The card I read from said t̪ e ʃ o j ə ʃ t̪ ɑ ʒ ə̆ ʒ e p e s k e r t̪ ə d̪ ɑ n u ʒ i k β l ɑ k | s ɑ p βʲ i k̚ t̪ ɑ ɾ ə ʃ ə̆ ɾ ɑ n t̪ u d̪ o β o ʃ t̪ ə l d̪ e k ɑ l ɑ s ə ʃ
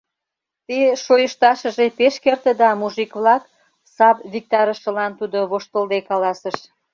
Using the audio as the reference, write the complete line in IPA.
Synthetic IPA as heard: t̪ e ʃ o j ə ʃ t̪ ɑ ʃ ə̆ ʒ e p e ʃ k e r t̪ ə d̪ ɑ m u ʒ i k β l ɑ k | s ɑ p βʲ i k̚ t̪ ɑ ɾ ə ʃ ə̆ l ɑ n t̪ u d̪ o β o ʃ t̪ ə l d̪ e k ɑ l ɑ s ə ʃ